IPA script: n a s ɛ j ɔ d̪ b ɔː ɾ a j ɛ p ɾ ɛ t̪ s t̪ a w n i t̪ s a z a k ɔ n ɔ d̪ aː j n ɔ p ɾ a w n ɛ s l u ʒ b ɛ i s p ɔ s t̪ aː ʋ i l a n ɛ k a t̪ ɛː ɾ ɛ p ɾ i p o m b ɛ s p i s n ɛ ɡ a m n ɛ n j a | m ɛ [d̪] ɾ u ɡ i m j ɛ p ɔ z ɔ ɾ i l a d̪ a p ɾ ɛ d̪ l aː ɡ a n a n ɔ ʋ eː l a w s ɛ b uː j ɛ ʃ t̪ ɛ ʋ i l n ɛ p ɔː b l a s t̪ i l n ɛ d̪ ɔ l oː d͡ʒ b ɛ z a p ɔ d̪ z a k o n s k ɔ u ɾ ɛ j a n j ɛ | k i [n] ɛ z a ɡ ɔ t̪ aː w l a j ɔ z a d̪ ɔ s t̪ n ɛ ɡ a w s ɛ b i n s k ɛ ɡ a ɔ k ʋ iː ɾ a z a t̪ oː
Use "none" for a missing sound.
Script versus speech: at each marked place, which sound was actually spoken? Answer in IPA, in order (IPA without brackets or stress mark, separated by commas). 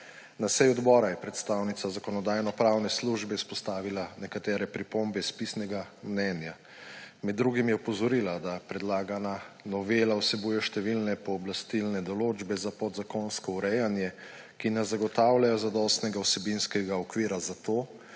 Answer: d̪ː, n